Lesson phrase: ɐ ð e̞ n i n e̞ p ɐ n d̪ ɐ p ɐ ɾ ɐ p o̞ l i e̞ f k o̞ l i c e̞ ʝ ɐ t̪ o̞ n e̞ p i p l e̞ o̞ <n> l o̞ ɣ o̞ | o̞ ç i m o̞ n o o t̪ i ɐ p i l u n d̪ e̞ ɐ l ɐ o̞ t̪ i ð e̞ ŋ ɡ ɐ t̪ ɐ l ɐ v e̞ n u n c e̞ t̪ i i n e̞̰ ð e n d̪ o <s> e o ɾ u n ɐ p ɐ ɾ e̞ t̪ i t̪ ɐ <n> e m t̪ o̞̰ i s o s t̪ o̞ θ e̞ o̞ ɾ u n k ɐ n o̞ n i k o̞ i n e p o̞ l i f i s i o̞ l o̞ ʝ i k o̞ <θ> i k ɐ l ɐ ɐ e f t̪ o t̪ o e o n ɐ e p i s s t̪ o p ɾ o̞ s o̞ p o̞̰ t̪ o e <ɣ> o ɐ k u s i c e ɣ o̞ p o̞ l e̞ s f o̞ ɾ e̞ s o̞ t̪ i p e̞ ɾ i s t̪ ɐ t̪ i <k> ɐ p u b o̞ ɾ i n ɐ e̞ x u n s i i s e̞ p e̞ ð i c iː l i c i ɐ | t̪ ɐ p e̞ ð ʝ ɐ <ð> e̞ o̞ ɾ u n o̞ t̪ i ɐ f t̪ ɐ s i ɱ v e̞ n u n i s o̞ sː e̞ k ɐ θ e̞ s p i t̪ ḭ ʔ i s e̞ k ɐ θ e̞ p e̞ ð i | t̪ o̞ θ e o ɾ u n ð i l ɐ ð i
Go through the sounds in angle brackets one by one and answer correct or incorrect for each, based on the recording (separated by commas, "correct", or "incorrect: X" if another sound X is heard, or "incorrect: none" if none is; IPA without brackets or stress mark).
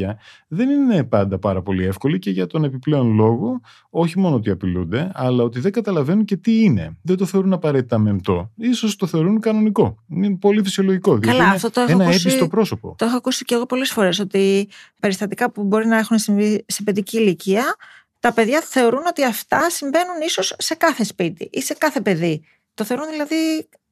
correct, incorrect: θ, incorrect: m, incorrect: ð, incorrect: x, correct, incorrect: θ